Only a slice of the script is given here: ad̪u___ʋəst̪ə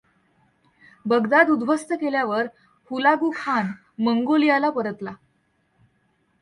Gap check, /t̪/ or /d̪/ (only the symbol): d̪